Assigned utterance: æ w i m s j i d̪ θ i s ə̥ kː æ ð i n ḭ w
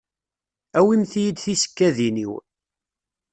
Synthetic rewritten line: æ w i m θ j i d̪ θ i s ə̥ kː æ ð i n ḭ w